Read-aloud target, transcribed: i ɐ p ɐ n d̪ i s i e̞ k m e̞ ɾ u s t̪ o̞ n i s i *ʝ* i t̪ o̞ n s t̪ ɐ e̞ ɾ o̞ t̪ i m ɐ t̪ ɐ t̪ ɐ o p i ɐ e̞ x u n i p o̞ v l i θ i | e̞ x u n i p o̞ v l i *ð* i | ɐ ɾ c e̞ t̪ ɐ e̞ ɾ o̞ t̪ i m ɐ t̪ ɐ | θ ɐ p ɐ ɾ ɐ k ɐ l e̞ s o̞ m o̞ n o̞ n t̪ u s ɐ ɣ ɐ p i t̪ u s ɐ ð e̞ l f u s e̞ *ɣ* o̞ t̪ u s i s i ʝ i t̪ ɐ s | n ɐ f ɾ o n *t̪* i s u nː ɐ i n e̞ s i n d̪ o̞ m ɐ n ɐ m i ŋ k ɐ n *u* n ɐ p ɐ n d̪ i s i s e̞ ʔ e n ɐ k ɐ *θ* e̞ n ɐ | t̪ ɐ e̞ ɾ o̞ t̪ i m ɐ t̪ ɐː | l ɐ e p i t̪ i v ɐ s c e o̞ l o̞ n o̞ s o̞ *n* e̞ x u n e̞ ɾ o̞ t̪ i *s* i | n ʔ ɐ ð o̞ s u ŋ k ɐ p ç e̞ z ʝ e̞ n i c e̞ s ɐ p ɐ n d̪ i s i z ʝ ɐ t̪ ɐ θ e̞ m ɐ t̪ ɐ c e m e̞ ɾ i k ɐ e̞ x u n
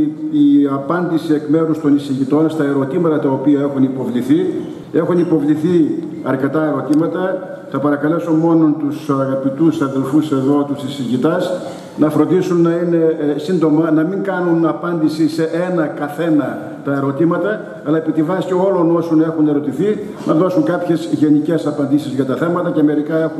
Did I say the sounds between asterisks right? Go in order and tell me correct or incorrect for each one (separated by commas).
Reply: correct, incorrect, incorrect, incorrect, correct, correct, correct, incorrect